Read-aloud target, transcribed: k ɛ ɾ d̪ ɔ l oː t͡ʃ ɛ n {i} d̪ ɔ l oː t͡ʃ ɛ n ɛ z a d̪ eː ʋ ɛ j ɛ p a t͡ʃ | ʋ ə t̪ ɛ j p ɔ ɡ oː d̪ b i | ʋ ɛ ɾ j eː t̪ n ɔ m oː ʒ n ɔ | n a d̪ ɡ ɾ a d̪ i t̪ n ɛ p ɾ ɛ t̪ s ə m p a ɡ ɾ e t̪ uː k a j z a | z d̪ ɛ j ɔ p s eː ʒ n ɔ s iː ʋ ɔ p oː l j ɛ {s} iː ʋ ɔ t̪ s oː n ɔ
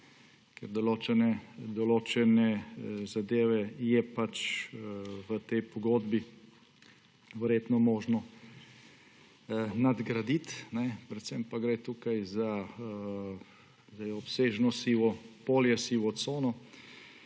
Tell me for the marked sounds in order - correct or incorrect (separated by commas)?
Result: incorrect, correct